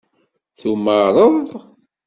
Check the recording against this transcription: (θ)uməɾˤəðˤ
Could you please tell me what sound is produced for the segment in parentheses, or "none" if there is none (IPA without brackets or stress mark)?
θ